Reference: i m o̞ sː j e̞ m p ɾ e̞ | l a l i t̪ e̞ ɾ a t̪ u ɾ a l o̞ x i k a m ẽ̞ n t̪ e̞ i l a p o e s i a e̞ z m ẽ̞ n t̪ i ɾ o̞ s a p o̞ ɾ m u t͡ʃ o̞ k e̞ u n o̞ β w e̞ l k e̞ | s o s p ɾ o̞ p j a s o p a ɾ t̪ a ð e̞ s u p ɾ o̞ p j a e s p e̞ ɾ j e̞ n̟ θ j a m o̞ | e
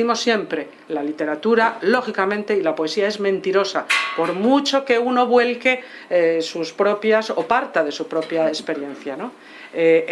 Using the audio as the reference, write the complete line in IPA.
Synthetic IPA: i m o̞ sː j e̞ m p ɾ e̞ | l a l i t̪ e̞ ɾ a t̪ u ɾ a l o̞ x i k a m ẽ̞ n t̪ e̞ i l a p o e s i a e̞ z m ẽ̞ n t̪ i ɾ o̞ s a p o̞ ɾ m u t͡ʃ o̞ k e̞ u n o̞ β w e̞ l k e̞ | s u s p ɾ o̞ p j a s o p a ɾ t̪ a ð e̞ s u p ɾ o̞ p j a e s p e̞ ɾ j e̞ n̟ θ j a n o̞ | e